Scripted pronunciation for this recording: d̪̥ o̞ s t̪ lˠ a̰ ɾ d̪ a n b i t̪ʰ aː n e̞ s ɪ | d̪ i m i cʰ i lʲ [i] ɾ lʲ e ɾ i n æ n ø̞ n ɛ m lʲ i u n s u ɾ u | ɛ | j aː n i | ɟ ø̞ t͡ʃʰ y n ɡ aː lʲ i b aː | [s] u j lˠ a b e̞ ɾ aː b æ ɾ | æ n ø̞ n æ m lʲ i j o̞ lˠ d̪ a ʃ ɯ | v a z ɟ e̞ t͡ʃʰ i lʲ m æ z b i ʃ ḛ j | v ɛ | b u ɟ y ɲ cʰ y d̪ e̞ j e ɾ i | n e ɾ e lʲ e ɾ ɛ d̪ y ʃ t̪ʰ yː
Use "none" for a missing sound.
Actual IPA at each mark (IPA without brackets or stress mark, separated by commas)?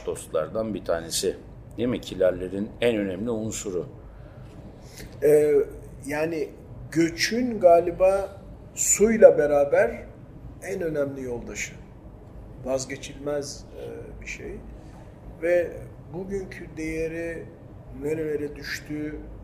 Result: æ, s